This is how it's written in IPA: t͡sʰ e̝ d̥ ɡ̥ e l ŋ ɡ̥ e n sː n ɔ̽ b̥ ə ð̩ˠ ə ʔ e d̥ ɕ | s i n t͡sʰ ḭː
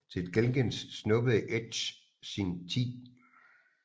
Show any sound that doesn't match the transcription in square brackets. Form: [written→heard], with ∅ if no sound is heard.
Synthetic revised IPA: t͡sʰ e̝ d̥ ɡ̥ e l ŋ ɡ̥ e n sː n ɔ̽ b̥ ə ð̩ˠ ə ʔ e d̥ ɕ | s i n t͡sʰ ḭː